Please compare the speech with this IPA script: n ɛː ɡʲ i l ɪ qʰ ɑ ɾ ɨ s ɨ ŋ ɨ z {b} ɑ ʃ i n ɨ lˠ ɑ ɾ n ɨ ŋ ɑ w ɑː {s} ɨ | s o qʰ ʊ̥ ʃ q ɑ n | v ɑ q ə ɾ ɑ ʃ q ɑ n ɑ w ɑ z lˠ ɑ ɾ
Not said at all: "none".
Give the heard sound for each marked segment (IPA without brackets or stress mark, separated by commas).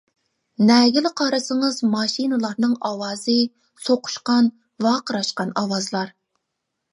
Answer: m, z